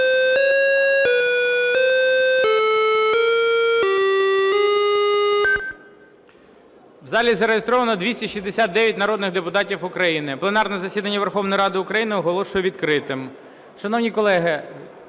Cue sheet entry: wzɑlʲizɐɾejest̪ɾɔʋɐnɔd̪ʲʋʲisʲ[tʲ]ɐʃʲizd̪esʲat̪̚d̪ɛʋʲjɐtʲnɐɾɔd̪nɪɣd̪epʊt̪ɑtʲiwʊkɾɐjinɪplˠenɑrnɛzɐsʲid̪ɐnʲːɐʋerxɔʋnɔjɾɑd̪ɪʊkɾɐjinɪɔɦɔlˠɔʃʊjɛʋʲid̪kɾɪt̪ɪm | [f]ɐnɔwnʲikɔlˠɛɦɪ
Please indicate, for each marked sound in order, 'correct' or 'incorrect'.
correct, incorrect

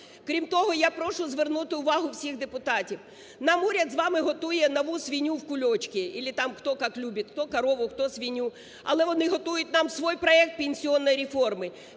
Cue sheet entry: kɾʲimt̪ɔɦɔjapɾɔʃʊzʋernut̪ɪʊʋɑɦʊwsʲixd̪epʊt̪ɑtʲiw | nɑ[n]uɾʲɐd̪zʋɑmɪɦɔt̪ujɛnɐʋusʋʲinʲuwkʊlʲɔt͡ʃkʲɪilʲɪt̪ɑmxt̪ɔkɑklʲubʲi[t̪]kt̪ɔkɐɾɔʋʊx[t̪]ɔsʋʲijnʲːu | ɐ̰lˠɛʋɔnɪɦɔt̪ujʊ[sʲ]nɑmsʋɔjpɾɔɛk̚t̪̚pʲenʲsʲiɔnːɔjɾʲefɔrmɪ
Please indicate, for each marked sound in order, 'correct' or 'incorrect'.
incorrect, correct, correct, incorrect

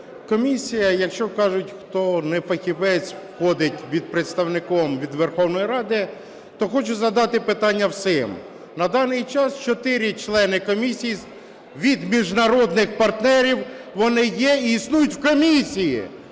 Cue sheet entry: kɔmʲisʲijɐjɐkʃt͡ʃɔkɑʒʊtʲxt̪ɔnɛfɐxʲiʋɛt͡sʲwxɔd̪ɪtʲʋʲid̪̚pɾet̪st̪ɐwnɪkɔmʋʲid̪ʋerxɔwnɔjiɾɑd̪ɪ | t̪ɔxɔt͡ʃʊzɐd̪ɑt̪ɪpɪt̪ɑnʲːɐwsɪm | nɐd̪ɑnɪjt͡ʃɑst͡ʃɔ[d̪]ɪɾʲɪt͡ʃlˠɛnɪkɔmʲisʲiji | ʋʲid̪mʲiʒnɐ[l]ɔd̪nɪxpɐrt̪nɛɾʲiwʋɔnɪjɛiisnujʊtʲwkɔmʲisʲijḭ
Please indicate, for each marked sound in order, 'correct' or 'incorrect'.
incorrect, incorrect

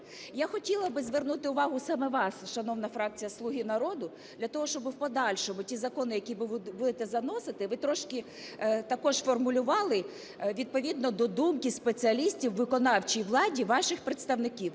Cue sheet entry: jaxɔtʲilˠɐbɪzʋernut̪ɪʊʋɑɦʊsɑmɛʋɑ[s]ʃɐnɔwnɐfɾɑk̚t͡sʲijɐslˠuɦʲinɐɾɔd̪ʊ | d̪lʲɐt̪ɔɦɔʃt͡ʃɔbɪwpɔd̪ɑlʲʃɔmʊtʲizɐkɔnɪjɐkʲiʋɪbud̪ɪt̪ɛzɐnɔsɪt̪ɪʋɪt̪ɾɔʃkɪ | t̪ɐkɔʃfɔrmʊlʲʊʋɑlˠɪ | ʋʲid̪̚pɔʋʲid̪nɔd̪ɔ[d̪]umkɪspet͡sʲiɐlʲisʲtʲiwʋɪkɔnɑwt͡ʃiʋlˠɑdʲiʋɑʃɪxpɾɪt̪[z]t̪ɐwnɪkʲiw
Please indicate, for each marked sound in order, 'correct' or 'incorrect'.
correct, correct, incorrect

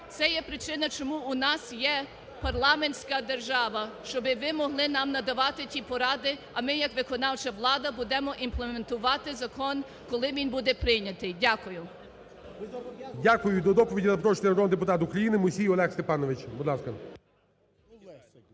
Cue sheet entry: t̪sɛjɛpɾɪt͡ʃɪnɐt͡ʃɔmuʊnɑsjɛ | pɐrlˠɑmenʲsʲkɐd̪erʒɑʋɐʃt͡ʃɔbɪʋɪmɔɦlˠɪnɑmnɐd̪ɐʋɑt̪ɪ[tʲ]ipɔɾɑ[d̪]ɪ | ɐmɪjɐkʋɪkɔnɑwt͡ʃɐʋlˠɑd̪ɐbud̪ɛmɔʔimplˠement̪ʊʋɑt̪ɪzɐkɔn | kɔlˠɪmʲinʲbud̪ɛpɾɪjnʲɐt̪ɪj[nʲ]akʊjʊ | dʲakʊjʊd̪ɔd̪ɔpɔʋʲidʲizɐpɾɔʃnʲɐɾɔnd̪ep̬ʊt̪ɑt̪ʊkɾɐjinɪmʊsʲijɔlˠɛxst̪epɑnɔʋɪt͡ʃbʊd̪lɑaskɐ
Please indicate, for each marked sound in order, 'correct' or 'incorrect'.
correct, correct, incorrect

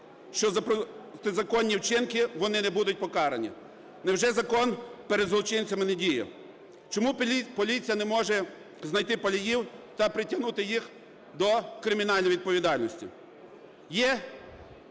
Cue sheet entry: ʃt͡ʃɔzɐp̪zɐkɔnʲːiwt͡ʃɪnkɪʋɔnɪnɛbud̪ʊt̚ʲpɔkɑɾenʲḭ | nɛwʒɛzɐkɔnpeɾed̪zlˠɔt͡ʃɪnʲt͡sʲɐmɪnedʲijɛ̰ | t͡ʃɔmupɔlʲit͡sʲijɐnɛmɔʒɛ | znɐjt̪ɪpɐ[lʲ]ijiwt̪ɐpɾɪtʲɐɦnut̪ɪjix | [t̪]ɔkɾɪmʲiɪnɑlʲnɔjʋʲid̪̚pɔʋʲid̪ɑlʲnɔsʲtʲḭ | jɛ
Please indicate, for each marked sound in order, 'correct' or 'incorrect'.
correct, incorrect

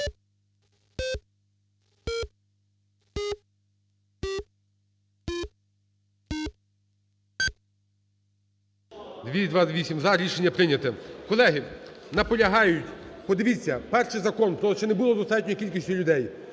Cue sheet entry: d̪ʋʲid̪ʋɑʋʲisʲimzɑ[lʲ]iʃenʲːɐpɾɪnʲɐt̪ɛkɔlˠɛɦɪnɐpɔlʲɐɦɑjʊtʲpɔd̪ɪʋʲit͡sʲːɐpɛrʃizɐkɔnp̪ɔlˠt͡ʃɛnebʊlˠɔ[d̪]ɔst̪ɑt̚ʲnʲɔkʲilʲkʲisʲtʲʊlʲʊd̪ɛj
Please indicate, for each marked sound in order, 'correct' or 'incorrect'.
incorrect, correct

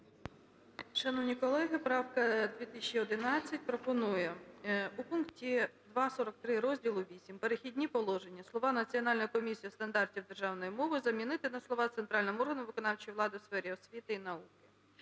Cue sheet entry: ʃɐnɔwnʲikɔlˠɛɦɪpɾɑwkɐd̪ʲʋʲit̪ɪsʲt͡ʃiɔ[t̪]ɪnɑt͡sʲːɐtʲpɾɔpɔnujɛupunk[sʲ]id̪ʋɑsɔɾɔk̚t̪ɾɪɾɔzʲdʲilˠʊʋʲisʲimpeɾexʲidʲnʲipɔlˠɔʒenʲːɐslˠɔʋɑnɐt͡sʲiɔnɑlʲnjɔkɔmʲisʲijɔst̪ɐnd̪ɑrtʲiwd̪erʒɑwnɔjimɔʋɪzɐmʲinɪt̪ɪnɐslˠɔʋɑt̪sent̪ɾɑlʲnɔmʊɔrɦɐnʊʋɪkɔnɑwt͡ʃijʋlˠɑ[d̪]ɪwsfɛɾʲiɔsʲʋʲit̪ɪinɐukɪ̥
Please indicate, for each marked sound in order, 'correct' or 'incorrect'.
incorrect, incorrect, correct

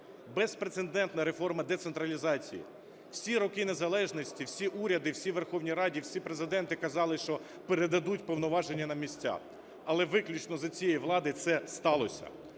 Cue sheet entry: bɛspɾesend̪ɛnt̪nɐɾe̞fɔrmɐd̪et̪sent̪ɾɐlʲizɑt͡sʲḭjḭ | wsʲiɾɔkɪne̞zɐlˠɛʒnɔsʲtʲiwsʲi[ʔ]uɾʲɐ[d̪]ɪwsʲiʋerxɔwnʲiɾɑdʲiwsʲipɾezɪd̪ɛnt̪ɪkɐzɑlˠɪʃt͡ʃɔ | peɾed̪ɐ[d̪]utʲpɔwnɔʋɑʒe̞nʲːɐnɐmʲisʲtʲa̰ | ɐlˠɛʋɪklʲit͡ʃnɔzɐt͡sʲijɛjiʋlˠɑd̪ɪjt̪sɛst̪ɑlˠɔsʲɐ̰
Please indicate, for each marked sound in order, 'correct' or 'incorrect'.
correct, correct, correct

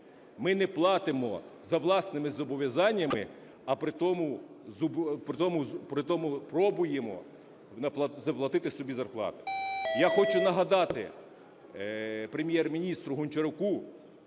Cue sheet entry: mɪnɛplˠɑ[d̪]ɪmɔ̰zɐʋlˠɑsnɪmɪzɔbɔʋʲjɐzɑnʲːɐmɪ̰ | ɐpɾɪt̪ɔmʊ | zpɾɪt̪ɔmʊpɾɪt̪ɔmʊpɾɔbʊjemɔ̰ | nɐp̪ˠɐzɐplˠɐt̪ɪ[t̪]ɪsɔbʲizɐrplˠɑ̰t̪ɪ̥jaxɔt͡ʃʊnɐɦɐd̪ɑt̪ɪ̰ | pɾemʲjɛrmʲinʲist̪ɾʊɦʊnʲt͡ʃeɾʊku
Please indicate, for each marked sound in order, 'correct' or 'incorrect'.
incorrect, correct

